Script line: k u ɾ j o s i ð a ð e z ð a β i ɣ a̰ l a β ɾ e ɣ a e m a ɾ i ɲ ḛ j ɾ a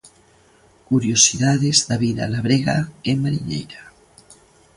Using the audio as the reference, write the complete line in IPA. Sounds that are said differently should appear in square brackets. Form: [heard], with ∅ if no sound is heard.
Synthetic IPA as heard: k u ɾ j o s i ð a ð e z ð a β i [ð] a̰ l a β ɾ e ɣ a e m a ɾ i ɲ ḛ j ɾ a

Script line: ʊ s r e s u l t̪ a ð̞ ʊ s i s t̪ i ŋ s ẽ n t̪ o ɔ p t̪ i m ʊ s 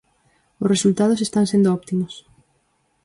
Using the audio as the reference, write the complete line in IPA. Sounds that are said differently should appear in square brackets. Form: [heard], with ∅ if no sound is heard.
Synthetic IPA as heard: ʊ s r e s u l t̪ a ð̞ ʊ s [e] s t̪ [a] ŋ s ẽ n [d̪] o ɔ p t̪ i m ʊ s

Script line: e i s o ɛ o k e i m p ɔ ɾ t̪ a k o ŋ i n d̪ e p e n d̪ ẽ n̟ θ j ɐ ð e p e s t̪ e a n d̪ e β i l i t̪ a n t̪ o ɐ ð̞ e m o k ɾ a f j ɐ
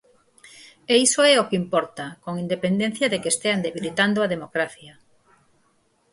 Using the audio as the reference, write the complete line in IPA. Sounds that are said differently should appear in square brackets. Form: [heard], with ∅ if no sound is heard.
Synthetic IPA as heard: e i s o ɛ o k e i m p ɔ ɾ t̪ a k o ŋ i n d̪ e p e n d̪ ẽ n̟ θ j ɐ ð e [k] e s t̪ e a n d̪ e β i l i t̪ a n [d̪] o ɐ ð̞ e m o k ɾ a [θ] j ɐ

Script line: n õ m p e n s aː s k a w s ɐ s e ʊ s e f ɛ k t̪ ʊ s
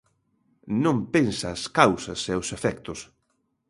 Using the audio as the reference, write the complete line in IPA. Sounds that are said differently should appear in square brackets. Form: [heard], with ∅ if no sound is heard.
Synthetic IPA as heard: n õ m p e n s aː s k a w s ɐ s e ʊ s e f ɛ k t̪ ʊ s

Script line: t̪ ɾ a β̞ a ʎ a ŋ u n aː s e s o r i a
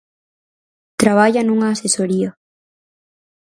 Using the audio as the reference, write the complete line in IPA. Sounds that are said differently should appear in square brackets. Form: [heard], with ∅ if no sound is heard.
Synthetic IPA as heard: t̪ ɾ a β̞ a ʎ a [n] u [ŋ] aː s e s o [ɾ] i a

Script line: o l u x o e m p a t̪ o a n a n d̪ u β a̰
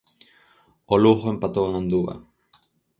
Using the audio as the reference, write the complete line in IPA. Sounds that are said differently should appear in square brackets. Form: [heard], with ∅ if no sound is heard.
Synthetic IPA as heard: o l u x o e m p a t̪ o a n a n d̪ u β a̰

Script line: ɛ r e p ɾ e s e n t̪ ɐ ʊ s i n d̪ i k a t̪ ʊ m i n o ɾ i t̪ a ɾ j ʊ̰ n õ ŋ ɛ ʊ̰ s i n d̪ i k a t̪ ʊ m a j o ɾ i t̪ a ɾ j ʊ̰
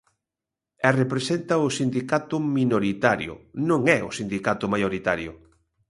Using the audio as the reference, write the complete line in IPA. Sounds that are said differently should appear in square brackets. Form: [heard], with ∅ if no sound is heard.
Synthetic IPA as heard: ɛ r e p ɾ e s e n t̪ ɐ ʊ s i n d̪ i k a t̪ ʊ m i n o ɾ i t̪ a ɾ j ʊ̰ n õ ŋ ɛ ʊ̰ s i n d̪ i k a t̪ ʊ m a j o ɾ i t̪ a ɾ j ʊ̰

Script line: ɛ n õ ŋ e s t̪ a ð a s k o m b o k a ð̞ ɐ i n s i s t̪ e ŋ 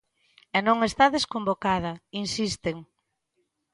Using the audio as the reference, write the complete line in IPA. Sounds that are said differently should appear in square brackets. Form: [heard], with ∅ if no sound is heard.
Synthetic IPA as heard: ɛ n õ ŋ e s t̪ a ð [e] s k o m b o k a ð̞ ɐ i n s i s t̪ e ŋ

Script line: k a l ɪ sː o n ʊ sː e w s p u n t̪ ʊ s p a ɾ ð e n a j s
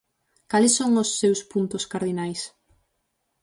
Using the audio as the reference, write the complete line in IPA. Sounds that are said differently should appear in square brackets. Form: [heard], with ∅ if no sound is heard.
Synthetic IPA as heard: k a l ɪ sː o [ŋ] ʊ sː e w s p u n t̪ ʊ s [k] a ɾ ð [i] n a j s

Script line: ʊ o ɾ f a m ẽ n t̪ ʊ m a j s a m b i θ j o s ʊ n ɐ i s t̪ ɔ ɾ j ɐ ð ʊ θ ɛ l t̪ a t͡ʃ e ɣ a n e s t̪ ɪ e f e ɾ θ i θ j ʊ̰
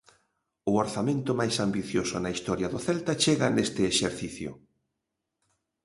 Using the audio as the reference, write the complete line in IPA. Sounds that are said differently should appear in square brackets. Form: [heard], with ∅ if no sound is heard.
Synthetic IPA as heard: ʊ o ɾ [θ] a m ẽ n t̪ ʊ m a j s a m b i θ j o s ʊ n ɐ i s t̪ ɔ ɾ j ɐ ð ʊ θ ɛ l t̪ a t͡ʃ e ɣ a n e s t̪ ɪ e [ʃ] e ɾ θ i θ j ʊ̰

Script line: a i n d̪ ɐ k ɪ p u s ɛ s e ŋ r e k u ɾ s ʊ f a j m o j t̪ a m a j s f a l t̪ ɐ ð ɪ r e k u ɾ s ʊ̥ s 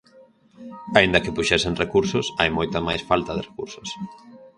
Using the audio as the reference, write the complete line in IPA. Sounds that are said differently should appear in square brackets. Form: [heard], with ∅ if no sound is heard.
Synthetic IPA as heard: a i n d̪ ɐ k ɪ p u [ʃ] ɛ s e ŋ r e k u ɾ s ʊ [s] a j m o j t̪ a m a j s f a l t̪ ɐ ð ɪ r e k u ɾ s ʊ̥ s

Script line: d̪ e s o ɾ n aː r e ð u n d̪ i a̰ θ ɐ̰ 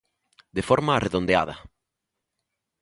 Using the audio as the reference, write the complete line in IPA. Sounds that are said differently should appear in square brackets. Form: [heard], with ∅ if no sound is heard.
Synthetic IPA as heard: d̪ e [f] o ɾ [m] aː r e ð [o] n d̪ [e] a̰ [ð] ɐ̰

